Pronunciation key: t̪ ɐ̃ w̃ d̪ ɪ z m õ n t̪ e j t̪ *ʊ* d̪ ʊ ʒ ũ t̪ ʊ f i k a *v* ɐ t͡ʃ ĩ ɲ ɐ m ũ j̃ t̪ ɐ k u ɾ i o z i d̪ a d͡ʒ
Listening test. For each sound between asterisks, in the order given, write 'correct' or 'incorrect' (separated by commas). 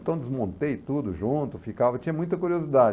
incorrect, correct